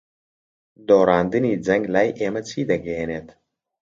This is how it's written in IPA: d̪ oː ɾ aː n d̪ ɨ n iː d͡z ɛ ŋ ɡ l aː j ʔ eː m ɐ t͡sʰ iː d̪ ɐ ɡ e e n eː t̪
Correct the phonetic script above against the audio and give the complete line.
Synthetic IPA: d̪ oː ɾ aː n d̪ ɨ n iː d͡z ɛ ŋ ɡ l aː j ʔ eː m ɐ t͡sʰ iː d̪ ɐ ɡ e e n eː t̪